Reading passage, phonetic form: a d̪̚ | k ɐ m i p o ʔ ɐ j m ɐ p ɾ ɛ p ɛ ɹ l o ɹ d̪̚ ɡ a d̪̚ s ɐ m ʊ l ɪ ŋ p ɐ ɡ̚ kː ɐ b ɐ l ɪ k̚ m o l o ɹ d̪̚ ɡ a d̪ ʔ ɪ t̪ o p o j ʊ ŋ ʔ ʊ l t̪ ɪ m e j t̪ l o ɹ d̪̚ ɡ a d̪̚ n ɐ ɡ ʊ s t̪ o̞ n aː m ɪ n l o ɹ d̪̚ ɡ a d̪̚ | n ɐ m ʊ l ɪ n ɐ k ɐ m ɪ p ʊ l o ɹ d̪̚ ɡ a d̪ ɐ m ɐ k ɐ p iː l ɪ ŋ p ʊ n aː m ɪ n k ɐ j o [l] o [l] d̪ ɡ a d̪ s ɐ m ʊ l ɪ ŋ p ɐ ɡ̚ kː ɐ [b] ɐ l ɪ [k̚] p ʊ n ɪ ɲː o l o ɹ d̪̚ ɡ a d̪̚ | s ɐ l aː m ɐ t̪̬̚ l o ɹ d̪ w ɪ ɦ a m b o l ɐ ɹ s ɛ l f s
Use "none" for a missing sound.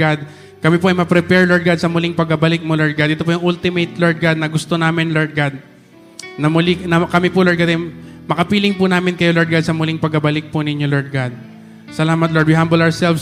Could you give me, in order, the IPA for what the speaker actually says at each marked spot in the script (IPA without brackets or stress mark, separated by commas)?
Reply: l, ɹ, b, k̚